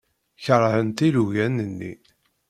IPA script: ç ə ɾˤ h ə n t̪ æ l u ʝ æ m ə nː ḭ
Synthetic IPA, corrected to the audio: ç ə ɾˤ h ə n t̪ i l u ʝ æ n ə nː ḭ